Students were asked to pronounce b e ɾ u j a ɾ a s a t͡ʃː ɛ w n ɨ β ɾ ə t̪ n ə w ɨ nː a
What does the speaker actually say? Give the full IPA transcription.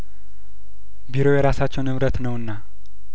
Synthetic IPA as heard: b i ɾ o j ɛ ɾ a s a t͡ʃː ɛ w n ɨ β ɾ ə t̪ n ə w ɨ nː a